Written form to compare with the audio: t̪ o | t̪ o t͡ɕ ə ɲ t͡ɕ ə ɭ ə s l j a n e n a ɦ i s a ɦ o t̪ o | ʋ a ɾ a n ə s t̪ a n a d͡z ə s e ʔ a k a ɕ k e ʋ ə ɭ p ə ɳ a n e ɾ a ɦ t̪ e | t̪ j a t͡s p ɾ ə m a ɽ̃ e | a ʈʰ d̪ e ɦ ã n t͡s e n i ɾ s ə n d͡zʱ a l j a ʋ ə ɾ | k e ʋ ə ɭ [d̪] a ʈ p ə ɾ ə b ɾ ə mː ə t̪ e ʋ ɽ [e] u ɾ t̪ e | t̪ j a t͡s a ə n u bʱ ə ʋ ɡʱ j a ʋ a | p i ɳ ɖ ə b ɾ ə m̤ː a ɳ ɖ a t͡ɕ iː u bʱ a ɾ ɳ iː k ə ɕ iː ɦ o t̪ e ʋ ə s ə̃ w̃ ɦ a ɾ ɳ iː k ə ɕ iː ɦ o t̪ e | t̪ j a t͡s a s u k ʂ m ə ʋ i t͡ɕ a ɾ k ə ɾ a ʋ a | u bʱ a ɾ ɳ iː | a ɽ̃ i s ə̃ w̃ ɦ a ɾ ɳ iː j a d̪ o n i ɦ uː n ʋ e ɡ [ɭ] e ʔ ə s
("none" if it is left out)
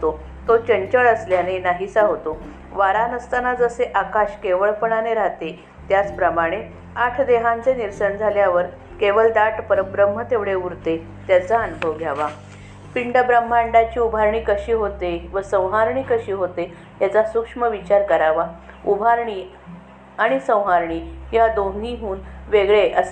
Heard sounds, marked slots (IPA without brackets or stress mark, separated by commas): d̪, e, ɭ